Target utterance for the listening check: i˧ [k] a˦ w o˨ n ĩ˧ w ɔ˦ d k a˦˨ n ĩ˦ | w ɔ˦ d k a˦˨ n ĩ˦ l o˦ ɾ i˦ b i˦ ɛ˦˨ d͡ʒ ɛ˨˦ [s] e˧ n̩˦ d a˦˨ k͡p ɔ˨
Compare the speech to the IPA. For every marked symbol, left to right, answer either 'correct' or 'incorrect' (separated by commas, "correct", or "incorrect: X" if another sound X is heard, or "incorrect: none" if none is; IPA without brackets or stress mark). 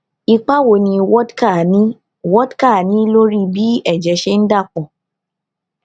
incorrect: k͡p, incorrect: ʃ